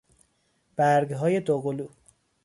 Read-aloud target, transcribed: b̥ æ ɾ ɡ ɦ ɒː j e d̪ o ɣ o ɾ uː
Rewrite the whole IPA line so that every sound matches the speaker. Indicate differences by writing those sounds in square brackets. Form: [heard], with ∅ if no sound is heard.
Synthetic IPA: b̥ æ ɾ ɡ ɦ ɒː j e d̪ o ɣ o [l] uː